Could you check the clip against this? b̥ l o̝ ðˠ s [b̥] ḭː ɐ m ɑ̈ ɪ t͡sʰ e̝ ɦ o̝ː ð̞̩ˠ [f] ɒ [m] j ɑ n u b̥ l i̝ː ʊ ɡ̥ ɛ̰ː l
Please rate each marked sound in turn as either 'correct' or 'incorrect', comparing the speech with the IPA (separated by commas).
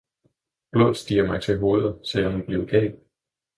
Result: incorrect, incorrect, incorrect